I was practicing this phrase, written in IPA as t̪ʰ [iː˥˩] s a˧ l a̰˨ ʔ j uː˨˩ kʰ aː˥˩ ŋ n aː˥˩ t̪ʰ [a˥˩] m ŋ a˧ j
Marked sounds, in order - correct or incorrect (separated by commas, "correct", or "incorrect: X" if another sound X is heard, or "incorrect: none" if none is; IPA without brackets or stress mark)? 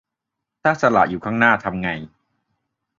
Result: incorrect: aː˥˩, incorrect: a˧